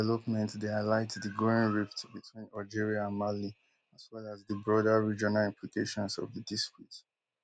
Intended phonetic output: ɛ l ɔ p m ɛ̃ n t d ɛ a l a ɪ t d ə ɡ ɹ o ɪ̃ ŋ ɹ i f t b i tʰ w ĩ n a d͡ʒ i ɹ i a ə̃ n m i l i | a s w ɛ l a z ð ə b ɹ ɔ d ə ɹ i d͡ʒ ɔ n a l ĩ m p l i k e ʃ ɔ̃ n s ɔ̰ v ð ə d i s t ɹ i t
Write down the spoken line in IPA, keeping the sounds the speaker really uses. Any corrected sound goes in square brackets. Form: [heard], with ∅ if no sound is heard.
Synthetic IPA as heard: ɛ l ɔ p m ɛ̃ n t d [e] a l a ɪ t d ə ɡ ɹ o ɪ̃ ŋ ɹ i f t b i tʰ w ĩ n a d͡ʒ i ɹ i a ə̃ n m [a] l i | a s w ɛ l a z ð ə b ɹ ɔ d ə ɹ i d͡ʒ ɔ n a l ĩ m p l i k e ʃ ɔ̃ n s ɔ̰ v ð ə d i s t ɹ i t